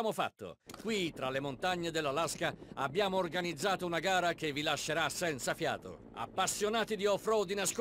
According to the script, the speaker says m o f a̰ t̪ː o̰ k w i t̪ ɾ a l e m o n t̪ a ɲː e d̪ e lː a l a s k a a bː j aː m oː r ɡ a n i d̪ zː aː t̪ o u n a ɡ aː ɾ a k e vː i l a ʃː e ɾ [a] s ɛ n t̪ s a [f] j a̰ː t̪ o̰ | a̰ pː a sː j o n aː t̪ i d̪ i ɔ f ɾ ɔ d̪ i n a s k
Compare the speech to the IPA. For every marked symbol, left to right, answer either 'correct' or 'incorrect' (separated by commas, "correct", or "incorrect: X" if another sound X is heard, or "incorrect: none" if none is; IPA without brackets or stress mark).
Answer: correct, correct